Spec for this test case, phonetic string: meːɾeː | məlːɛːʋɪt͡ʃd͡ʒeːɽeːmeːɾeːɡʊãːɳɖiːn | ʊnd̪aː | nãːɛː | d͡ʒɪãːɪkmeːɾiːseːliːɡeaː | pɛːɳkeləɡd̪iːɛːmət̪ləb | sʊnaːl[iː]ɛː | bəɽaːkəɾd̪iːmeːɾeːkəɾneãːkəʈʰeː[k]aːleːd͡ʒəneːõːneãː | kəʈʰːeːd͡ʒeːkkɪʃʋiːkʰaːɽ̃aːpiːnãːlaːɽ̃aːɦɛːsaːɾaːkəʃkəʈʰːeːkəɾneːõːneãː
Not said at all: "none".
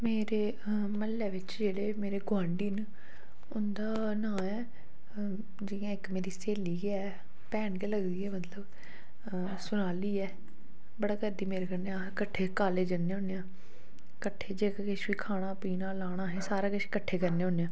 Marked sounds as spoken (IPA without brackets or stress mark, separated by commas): iː, k